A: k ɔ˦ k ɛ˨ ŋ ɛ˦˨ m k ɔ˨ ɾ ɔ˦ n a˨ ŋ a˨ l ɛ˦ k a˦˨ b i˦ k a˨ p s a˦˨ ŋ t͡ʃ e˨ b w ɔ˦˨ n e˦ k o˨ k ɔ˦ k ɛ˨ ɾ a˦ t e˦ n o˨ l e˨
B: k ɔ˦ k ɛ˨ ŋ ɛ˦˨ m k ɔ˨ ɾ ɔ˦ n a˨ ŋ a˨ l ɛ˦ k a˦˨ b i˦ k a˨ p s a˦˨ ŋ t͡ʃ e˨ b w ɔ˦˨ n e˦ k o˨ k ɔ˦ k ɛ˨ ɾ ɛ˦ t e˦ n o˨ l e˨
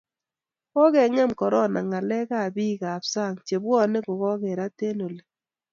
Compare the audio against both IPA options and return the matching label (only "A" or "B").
A